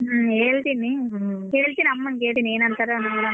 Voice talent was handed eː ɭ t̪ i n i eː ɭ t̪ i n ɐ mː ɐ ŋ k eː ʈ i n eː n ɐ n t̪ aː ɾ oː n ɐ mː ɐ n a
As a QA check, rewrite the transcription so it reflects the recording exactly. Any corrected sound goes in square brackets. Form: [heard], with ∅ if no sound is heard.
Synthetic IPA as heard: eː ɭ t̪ i n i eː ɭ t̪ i n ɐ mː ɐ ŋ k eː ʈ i n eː n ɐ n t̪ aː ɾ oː n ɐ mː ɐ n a